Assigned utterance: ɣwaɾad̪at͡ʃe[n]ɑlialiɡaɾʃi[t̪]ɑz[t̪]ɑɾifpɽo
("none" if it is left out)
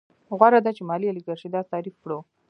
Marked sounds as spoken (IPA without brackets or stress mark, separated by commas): m, d̪, t̪